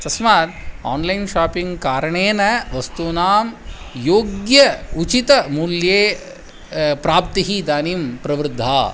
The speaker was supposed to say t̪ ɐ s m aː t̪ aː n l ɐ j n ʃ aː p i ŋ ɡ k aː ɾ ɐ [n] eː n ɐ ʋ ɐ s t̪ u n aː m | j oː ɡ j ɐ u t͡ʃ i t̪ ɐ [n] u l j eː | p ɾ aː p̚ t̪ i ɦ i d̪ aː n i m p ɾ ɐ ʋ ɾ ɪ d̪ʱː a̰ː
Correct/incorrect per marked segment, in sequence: incorrect: ɳ, incorrect: m

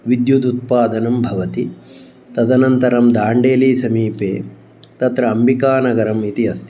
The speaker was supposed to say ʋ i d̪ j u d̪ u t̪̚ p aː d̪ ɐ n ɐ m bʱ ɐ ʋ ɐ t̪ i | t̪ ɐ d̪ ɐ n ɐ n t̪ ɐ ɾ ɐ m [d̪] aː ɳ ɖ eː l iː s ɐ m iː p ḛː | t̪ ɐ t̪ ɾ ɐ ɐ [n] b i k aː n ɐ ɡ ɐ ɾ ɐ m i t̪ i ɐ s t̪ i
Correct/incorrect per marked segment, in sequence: correct, incorrect: m

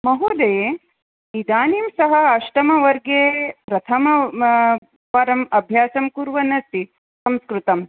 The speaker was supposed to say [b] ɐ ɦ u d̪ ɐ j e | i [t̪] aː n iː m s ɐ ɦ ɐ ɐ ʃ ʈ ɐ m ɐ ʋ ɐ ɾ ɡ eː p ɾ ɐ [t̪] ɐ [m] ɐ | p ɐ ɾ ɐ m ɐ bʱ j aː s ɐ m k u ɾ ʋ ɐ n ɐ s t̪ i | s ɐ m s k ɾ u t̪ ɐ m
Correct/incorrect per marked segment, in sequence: incorrect: m, incorrect: d̪, incorrect: t̪ʰ, correct

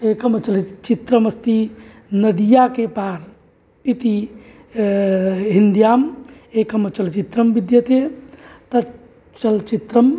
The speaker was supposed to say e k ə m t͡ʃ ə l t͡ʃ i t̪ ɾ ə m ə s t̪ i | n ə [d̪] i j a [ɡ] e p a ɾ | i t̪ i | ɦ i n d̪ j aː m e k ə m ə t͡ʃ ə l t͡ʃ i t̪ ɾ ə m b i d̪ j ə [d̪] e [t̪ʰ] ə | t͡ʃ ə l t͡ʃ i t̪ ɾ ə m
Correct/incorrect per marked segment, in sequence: correct, incorrect: k, incorrect: t̪, incorrect: t̪

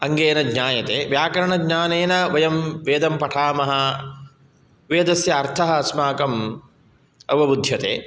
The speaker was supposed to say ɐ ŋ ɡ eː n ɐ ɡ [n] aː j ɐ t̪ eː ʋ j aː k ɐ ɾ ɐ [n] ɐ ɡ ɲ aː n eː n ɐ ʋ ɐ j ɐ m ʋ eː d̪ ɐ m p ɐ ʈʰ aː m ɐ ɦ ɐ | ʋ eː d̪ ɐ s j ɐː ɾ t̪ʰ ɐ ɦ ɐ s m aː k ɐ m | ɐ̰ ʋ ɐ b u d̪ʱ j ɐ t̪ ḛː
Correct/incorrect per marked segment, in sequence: incorrect: ɲ, incorrect: ɳ

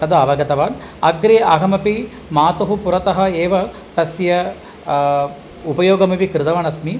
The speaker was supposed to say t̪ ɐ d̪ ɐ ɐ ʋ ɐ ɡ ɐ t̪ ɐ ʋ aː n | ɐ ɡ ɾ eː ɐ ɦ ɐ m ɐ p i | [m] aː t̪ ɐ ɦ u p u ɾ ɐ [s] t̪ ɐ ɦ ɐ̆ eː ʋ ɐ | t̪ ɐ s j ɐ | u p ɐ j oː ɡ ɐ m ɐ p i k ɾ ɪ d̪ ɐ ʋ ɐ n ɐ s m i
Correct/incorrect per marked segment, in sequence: correct, incorrect: none

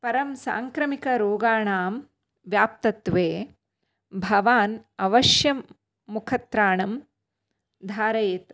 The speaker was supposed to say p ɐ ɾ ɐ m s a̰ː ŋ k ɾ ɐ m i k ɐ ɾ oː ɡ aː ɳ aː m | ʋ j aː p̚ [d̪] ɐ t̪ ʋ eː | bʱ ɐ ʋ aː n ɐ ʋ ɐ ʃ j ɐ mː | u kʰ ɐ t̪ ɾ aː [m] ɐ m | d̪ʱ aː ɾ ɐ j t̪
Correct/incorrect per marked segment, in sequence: incorrect: t̪, incorrect: ɳ

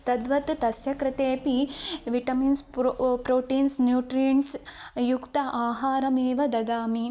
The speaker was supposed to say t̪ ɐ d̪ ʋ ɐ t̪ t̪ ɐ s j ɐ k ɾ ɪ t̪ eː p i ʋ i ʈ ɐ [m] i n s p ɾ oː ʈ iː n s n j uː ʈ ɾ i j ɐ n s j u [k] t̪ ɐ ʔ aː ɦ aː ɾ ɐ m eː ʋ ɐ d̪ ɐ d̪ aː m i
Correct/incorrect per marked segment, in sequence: correct, correct

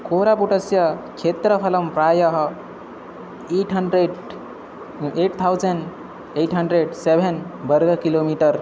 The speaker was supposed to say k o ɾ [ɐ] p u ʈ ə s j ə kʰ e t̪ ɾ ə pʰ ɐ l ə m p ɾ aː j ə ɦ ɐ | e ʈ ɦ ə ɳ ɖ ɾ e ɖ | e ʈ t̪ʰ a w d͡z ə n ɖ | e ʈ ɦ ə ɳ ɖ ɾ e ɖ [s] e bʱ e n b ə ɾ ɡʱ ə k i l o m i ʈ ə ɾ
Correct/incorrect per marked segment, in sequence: incorrect: a, correct

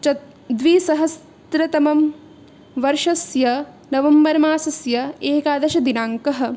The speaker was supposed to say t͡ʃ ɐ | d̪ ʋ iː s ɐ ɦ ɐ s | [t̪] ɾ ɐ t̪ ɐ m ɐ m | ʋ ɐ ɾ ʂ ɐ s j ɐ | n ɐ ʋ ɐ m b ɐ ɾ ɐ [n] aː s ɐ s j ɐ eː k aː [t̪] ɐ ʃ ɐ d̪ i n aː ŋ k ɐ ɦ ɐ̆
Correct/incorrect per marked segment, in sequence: correct, incorrect: m, incorrect: d̪

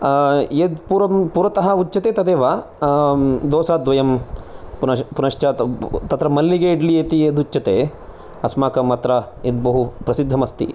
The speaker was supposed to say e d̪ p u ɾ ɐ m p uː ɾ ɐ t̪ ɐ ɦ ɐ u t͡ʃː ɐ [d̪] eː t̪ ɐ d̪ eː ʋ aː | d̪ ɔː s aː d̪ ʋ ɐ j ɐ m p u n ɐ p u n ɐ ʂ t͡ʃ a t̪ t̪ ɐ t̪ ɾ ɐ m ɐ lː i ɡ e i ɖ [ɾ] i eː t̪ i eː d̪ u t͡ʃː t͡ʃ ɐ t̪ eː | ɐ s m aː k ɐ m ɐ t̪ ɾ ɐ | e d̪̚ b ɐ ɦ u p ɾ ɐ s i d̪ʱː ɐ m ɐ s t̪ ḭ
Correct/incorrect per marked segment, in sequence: incorrect: t̪, incorrect: l

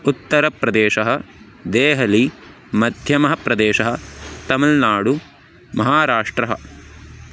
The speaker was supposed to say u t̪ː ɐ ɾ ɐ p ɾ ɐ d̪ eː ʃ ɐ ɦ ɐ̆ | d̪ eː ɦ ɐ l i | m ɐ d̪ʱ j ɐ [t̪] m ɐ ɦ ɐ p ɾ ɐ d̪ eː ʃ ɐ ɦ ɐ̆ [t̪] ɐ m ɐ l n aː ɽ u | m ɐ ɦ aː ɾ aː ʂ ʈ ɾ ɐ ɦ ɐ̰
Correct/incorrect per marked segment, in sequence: incorrect: none, correct

